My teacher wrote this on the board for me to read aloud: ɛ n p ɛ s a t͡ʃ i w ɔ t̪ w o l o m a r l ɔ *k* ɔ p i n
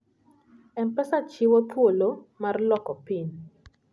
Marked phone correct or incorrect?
correct